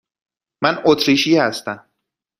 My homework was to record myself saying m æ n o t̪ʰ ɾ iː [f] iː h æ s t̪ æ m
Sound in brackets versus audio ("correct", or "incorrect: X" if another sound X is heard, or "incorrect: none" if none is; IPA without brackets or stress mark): incorrect: ʃ